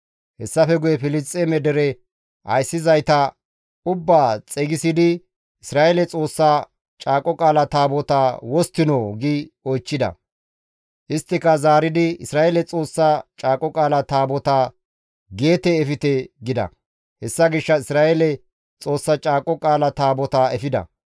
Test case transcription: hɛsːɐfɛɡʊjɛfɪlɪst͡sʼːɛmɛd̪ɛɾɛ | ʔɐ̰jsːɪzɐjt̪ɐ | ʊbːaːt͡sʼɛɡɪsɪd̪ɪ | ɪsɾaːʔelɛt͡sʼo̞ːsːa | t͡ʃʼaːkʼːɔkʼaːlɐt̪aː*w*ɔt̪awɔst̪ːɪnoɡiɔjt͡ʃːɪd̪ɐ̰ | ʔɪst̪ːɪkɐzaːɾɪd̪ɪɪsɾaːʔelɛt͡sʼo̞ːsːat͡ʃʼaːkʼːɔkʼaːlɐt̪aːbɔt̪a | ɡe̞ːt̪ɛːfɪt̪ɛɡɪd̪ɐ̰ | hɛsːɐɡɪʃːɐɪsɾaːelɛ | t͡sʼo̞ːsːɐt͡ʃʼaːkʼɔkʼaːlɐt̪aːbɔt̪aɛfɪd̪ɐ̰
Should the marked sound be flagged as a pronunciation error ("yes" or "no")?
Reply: yes